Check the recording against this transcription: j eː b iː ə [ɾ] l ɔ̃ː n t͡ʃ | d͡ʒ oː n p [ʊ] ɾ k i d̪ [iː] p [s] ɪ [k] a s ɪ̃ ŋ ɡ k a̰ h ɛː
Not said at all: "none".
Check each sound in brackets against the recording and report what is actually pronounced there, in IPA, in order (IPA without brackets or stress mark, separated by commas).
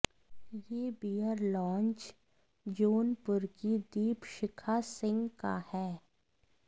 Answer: ɾ, ʊ, iː, ʃ, kʰ